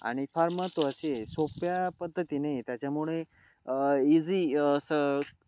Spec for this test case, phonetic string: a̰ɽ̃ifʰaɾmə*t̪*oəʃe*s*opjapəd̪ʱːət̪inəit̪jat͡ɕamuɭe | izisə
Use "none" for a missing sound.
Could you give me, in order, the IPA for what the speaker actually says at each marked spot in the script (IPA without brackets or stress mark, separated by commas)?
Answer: t̪, s